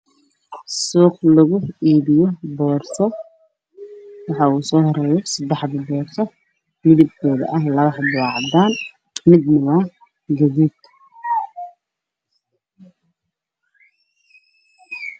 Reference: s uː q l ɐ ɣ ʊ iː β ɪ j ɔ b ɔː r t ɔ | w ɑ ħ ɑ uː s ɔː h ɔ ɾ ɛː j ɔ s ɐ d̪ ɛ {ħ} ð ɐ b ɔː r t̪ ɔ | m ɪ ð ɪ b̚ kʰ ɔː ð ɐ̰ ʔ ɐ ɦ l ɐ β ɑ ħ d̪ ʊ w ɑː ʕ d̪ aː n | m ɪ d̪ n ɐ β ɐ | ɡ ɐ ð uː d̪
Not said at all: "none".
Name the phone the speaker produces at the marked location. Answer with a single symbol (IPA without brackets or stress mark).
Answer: ħ